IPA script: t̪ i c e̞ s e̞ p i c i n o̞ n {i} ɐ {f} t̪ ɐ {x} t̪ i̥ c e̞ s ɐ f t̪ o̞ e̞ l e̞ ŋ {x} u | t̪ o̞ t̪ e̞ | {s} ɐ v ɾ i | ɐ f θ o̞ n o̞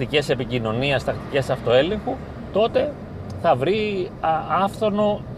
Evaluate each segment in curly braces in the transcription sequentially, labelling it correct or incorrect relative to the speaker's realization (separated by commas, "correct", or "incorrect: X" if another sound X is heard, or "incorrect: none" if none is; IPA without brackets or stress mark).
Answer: correct, incorrect: s, incorrect: k, correct, incorrect: θ